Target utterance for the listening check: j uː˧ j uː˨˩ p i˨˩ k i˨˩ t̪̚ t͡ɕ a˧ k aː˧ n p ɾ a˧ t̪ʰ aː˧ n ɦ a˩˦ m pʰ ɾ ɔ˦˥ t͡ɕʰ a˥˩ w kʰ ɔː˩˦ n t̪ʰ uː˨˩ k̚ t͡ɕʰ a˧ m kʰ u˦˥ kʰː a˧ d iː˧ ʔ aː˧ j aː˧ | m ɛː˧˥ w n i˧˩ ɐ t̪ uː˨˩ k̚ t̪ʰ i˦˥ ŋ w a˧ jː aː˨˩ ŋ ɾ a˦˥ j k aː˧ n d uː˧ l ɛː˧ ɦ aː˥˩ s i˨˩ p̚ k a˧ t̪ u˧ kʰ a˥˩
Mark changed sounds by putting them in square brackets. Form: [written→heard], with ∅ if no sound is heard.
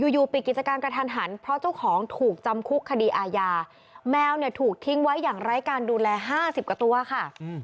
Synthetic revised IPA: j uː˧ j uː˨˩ p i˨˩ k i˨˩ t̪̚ t͡ɕ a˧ k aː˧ n p ɾ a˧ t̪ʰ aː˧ n ɦ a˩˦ [m→n] pʰ ɾ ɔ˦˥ [t͡ɕʰ→t͡ɕ] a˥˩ w kʰ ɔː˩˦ [n→ŋ] t̪ʰ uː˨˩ k̚ [t͡ɕʰ→t͡ɕ] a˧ m kʰ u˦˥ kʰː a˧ d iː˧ ʔ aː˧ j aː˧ | m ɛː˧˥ w n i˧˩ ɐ [t̪→t̪ʰ] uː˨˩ k̚ t̪ʰ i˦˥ ŋ w [a˧→a˦˥] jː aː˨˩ ŋ ɾ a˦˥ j k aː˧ n d uː˧ l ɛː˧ ɦ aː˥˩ s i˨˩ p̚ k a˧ t̪ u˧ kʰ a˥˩